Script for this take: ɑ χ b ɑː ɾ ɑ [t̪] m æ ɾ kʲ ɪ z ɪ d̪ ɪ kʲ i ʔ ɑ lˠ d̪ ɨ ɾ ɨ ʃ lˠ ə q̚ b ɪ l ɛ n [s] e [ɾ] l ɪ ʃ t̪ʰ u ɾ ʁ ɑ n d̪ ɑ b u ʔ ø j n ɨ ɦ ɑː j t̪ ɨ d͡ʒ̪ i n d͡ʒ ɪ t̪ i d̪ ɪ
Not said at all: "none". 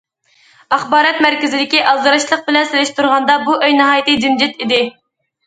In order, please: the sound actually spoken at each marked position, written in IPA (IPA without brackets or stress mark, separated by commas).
t̪, s, none